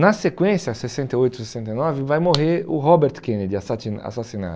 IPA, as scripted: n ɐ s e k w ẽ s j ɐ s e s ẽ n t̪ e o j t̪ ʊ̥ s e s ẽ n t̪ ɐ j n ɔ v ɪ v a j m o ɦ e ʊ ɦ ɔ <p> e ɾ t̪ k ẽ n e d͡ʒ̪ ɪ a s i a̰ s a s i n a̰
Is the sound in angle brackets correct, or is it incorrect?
incorrect